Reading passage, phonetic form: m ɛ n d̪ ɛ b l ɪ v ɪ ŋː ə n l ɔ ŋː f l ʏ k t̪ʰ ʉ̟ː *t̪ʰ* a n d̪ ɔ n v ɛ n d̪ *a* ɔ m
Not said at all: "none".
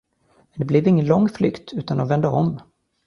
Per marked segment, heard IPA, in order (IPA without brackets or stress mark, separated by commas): t̪, ə